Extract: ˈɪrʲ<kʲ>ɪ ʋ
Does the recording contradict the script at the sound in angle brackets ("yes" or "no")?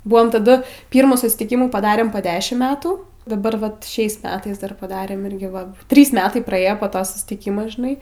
yes